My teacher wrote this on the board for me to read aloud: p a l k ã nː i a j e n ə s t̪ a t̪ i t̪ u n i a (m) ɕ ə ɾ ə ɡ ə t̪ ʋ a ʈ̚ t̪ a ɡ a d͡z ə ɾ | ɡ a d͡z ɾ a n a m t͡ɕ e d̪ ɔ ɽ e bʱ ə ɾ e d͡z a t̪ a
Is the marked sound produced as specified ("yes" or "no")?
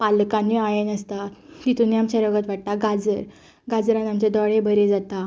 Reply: yes